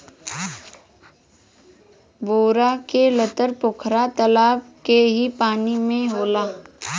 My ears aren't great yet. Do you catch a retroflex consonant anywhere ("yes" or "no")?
no